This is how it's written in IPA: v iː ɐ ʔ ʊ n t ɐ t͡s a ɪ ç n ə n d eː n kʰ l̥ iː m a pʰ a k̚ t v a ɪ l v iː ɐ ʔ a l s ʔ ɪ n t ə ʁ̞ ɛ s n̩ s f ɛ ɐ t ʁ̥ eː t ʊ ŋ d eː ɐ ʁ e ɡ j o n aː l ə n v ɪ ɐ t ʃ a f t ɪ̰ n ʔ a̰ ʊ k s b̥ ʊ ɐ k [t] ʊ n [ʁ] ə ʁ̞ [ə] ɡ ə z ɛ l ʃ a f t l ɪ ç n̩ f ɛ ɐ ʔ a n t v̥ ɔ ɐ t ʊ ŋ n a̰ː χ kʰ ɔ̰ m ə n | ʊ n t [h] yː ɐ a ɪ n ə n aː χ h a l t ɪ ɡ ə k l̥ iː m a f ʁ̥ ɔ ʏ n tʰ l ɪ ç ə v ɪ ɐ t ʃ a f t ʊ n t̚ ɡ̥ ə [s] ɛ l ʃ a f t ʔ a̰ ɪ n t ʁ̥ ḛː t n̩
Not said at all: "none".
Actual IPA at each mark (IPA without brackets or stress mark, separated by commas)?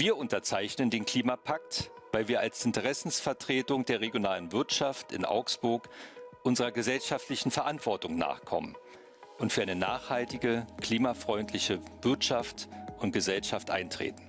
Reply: ʔ, z, ɐ, f, z